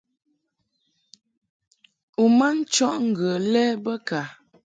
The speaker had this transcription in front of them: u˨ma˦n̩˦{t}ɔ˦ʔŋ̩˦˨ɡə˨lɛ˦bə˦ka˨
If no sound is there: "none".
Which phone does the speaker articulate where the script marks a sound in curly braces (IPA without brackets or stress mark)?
t͡ʃ